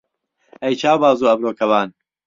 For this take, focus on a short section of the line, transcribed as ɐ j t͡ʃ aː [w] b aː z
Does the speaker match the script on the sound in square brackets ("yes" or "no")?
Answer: yes